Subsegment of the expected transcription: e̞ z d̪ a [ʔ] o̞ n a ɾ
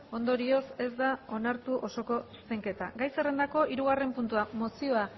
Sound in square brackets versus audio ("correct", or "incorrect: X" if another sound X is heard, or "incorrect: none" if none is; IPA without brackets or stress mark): incorrect: none